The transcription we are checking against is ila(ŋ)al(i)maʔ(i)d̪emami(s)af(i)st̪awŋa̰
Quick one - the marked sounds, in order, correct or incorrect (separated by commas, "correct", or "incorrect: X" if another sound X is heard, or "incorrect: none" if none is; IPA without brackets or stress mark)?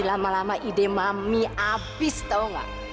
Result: incorrect: m, incorrect: a, correct, incorrect: none, correct